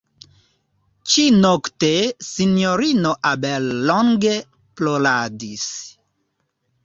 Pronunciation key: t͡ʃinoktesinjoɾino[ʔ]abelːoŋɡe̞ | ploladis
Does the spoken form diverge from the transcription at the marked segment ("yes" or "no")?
no